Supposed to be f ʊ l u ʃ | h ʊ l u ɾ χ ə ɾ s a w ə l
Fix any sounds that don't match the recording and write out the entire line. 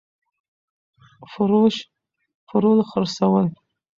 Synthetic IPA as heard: f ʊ ɾ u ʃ | f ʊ ɾ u l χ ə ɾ s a w ə l